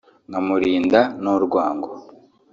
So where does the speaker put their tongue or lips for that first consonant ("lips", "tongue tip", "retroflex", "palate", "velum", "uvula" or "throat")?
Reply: velum